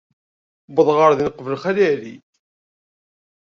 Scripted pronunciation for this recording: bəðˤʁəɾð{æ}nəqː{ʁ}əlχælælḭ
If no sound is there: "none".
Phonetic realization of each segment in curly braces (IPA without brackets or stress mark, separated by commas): i, v